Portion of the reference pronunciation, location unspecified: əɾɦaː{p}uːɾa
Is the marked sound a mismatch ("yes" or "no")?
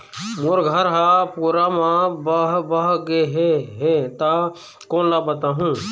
no